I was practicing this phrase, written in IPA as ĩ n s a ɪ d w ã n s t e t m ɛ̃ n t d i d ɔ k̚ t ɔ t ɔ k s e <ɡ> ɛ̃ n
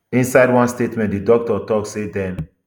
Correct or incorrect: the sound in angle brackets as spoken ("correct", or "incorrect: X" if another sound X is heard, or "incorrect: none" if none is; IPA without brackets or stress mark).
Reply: incorrect: d